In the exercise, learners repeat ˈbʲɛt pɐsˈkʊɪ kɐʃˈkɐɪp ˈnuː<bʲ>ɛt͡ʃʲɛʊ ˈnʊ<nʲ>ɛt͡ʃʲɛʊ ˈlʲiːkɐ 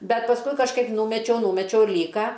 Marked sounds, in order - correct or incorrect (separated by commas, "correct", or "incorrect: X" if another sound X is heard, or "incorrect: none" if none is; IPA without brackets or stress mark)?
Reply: incorrect: mʲ, incorrect: mʲ